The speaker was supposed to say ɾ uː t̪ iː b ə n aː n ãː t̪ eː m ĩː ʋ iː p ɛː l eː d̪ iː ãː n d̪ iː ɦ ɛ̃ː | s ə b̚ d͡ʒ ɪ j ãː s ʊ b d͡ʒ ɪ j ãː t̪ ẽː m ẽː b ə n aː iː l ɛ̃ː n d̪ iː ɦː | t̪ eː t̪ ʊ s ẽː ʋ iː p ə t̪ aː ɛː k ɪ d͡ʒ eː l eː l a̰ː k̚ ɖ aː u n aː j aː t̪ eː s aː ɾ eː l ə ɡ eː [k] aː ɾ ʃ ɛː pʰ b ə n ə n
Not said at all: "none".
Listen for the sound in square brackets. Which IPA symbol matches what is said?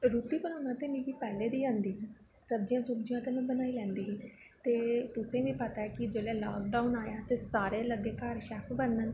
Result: k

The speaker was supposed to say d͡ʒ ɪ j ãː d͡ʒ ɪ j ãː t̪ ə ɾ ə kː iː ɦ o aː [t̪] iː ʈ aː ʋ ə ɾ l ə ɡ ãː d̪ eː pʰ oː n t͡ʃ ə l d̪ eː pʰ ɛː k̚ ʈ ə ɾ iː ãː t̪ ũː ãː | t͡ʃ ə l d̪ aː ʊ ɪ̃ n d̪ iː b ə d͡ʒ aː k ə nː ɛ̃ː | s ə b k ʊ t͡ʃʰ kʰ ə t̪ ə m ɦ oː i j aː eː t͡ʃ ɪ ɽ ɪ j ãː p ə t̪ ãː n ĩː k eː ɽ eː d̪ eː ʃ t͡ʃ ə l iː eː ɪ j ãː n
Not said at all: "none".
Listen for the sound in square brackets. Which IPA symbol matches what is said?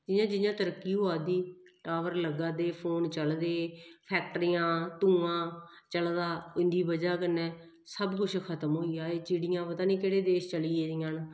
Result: d̪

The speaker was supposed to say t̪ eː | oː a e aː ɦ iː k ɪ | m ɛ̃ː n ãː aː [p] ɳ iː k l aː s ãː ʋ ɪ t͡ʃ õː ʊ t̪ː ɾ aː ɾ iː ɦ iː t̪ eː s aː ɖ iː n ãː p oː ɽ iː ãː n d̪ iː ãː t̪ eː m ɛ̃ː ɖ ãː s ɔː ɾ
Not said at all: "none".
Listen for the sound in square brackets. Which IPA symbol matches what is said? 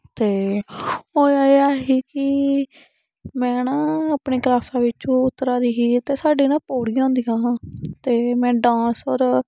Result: p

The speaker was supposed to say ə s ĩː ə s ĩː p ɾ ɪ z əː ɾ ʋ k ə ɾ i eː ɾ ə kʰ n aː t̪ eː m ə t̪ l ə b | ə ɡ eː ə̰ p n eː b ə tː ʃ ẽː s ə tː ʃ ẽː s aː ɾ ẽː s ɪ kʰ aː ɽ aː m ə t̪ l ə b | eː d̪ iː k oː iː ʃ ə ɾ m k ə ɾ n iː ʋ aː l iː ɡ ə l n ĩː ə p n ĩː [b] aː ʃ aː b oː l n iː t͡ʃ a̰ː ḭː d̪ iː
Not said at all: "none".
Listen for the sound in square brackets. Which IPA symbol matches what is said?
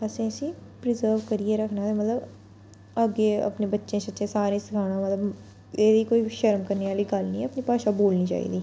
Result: p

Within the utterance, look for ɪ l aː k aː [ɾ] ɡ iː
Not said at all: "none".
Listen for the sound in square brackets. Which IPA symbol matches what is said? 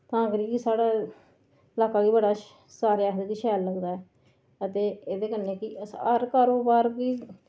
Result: none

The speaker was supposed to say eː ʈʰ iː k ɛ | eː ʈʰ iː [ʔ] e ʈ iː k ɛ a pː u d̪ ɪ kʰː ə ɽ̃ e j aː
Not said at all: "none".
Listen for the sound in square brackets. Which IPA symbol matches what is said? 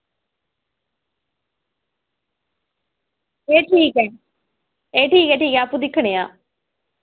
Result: k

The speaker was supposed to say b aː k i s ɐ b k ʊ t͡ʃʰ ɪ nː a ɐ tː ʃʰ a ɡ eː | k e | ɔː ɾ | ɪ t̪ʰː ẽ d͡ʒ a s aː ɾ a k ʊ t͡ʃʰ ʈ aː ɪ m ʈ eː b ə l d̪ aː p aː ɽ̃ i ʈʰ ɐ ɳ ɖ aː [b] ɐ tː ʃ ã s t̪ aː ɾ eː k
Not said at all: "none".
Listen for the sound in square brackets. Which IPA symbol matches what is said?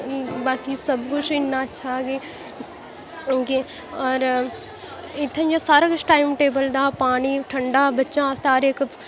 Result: b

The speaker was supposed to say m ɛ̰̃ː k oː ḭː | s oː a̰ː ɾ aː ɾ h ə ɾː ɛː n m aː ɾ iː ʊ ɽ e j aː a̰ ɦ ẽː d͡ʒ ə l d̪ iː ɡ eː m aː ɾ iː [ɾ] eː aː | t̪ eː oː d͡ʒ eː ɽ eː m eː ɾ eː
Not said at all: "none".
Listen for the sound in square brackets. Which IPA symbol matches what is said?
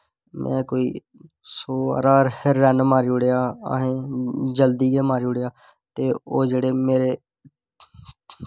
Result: ɽ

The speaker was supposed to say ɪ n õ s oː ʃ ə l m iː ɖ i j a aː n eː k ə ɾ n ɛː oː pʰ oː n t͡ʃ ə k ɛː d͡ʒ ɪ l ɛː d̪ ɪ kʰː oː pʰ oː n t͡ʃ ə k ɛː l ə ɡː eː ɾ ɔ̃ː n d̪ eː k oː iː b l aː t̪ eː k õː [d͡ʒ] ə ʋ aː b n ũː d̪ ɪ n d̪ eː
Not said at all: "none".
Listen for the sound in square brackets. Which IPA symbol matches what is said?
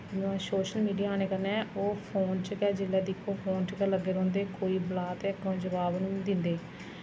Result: d͡ʒ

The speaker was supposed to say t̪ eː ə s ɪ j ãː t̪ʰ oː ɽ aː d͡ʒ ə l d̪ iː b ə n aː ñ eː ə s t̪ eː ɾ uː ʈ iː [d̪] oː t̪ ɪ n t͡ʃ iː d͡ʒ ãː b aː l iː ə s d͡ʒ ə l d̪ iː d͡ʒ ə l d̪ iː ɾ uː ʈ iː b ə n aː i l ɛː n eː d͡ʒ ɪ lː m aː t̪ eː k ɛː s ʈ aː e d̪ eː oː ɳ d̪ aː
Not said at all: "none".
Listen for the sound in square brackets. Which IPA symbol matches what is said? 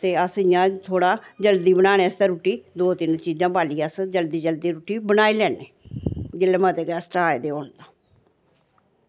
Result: d̪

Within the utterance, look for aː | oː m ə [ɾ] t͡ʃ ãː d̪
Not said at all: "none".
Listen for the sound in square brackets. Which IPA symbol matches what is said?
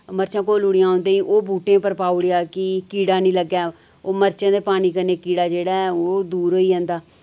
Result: ɾ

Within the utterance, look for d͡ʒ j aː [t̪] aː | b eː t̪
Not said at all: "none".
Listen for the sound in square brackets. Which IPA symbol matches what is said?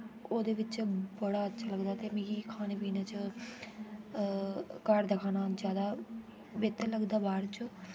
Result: d̪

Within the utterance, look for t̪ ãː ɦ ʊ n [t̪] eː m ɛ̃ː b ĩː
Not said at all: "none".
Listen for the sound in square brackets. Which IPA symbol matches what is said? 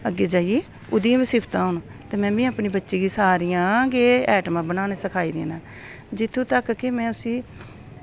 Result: t̪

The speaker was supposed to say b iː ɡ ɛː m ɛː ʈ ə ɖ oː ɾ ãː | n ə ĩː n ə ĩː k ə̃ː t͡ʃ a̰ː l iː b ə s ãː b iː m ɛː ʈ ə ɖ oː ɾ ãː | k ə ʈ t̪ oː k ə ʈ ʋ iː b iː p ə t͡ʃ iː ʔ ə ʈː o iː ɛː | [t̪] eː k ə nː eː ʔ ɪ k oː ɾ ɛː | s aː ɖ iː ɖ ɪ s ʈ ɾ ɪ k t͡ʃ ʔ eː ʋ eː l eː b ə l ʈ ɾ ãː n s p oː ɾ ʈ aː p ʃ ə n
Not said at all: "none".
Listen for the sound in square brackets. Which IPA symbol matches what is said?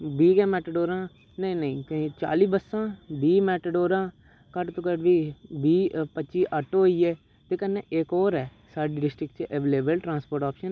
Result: t̪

